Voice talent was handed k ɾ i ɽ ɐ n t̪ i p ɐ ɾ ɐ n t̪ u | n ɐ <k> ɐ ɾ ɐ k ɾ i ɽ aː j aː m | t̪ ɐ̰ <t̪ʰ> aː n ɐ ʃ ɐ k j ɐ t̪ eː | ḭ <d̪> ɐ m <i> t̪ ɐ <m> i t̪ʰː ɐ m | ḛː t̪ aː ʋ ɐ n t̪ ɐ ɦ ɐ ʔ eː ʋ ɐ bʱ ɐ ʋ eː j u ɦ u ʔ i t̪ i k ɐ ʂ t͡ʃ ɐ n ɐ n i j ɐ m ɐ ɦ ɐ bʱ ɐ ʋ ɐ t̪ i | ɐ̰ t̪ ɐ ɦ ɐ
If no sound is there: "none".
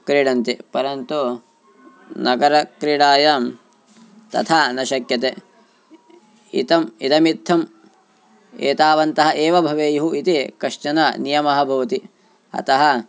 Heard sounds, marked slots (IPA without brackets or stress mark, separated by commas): ɡ, t̪ʰ, t̪, i, m